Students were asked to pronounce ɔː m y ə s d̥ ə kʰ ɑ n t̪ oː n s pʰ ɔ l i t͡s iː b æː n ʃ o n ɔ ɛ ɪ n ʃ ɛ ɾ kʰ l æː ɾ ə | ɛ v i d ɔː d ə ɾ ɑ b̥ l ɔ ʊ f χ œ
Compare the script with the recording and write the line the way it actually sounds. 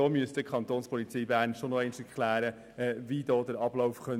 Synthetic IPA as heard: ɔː m y ə s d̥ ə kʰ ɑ n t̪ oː n s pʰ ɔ l i t͡s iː b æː n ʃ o n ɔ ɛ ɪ n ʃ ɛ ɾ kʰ l æː ɾ ə | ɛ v i d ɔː d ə ɾ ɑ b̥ l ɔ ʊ f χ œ